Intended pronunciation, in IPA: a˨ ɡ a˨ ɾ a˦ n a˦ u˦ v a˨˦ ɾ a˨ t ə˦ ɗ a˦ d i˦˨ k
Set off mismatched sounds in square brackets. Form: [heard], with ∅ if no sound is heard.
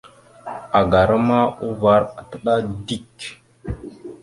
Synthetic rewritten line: a˨ ɡ a˨ ɾ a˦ [m] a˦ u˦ v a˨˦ ɾ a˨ t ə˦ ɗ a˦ d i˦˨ k